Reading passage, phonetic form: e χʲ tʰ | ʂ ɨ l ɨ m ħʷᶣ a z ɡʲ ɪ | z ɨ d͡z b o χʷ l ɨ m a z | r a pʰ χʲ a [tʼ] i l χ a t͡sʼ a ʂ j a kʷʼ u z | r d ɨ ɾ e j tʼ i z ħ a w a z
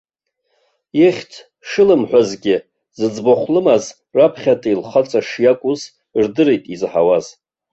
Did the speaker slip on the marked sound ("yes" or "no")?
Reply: no